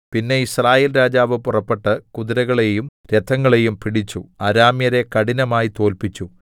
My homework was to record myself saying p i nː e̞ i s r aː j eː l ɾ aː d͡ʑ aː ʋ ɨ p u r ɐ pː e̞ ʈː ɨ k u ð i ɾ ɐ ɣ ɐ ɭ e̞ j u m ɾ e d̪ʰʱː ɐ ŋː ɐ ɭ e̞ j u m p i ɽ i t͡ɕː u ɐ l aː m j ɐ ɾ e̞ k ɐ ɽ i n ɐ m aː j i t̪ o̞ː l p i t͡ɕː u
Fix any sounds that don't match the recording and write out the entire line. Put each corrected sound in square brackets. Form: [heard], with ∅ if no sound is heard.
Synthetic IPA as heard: p i nː e̞ i s r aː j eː l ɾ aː d͡ʑ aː ʋ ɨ p u r ɐ pː e̞ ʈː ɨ k u ð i ɾ ɐ ɣ ɐ ɭ e̞ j u m ɾ e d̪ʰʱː ɐ ŋː ɐ ɭ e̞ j u m p i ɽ i t͡ɕː u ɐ [ɾ] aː m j ɐ ɾ e̞ k ɐ ɽ i n ɐ m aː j i t̪ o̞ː l p i t͡ɕː u